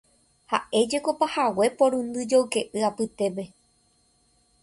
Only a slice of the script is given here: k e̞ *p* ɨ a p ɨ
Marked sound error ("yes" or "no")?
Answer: yes